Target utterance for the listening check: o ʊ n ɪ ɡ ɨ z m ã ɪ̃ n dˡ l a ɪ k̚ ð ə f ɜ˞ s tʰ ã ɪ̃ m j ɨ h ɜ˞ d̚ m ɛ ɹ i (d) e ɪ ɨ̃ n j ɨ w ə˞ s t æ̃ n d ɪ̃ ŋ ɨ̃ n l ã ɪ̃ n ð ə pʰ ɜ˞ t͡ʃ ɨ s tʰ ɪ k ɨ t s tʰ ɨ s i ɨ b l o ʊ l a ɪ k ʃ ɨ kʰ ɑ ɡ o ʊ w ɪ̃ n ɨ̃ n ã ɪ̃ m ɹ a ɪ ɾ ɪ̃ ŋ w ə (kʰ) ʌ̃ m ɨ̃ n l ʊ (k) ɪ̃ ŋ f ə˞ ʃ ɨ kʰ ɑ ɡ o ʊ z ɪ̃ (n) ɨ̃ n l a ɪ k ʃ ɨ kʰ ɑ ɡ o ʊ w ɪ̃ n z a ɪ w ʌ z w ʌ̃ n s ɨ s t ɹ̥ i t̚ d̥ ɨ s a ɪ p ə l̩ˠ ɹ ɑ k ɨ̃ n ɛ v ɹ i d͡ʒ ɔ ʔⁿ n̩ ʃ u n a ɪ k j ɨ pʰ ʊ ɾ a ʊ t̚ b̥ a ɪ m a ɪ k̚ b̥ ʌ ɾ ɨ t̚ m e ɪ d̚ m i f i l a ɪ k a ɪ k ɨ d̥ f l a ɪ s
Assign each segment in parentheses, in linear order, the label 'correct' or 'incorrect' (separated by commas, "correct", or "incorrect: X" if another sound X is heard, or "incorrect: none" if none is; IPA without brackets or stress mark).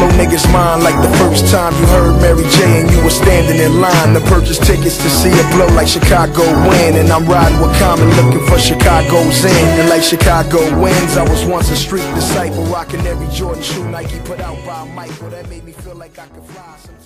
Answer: incorrect: d͡ʒ, correct, correct, correct